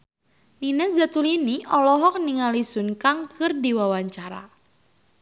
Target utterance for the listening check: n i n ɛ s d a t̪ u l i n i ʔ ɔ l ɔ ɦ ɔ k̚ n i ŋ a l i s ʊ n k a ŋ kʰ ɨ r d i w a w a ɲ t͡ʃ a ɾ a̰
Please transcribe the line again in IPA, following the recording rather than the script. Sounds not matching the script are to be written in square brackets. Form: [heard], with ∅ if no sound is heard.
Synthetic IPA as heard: n i n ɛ s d a t̪ u l i n i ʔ ɔ l ɔ ɦ ɔ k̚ n i ŋ a l i s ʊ n k a ŋ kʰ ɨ r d i w a w a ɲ t͡ʃ a ɾ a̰